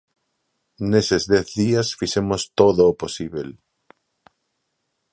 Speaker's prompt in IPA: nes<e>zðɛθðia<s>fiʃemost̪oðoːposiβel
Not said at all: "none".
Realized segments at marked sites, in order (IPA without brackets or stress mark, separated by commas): e, s